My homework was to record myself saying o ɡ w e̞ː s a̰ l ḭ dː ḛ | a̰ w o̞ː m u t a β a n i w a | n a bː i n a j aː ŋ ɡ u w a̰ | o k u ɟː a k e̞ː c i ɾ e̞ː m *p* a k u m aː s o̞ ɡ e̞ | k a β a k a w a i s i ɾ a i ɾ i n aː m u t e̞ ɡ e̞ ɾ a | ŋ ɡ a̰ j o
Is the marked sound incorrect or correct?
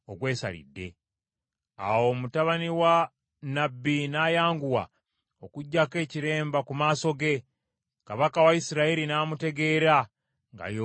incorrect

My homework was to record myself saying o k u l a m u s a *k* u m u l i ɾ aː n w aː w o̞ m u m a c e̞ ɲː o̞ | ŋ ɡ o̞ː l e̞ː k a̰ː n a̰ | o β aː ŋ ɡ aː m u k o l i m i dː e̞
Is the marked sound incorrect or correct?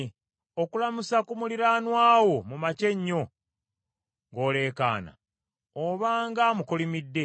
correct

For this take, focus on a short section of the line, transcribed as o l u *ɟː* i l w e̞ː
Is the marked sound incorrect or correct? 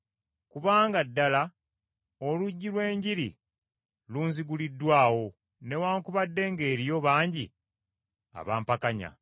correct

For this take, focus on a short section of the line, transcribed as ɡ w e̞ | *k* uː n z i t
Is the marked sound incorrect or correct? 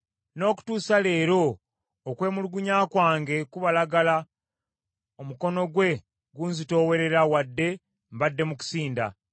incorrect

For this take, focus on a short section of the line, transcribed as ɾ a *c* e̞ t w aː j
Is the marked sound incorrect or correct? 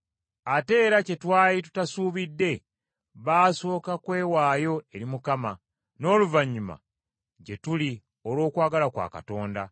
correct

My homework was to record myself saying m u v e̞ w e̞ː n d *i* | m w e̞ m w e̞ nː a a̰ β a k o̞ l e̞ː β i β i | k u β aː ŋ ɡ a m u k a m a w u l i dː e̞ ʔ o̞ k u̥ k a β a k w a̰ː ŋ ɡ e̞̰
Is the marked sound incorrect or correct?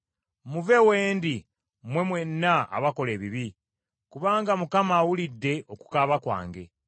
correct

